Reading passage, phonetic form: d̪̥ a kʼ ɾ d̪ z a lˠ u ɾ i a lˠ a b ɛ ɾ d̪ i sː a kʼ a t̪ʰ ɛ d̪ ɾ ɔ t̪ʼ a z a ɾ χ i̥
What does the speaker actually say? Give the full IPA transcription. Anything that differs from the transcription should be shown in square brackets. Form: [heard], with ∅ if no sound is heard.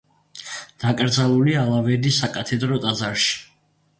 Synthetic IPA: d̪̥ a kʼ ɾ d̪ z a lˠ u [l] i a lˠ a [v] ɛ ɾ d̪ i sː a kʼ a t̪ʰ ɛ d̪ ɾ ɔ t̪ʼ a z a ɾ [ʃ] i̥